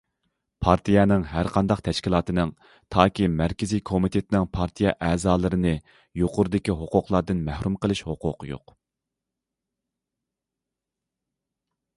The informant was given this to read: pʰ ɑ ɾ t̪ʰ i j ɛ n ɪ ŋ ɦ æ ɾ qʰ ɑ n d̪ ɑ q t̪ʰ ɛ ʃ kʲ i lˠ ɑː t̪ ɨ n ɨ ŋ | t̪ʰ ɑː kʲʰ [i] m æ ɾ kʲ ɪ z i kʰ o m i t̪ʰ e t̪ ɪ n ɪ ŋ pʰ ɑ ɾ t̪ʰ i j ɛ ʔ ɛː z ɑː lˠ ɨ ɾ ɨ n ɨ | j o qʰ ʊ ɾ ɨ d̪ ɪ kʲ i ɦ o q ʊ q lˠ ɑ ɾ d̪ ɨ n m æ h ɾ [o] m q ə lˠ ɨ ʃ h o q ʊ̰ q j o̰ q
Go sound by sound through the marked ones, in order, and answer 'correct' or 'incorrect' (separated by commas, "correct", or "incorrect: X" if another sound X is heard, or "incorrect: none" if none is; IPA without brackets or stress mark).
correct, incorrect: u